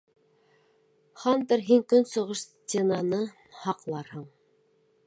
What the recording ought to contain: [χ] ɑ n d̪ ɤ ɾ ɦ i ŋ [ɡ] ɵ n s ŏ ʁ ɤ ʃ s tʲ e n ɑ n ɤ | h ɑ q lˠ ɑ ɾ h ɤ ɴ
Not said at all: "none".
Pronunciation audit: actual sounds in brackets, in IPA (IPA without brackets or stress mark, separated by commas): χ, k